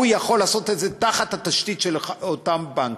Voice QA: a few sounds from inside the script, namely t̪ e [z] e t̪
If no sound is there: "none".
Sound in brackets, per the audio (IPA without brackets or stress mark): z